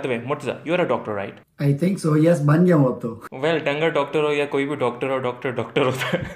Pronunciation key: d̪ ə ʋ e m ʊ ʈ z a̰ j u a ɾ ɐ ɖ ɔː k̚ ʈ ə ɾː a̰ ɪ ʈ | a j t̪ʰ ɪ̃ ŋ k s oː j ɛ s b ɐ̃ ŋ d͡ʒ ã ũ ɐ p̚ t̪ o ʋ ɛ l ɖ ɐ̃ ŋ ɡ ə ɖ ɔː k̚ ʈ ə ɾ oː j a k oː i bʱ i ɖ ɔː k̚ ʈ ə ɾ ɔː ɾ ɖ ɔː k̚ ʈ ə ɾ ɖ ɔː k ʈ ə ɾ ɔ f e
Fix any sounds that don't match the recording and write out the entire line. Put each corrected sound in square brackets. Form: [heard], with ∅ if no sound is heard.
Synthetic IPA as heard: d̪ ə ʋ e m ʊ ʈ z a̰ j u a ɾ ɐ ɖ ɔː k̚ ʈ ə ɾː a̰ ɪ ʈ | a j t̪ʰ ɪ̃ ŋ k s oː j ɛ s b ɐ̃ [n] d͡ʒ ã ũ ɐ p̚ t̪ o ʋ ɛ l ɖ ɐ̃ ŋ ɡ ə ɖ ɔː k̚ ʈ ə ɾ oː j a k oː i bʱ i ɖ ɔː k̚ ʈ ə ɾ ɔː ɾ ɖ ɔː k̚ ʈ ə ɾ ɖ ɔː k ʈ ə ɾ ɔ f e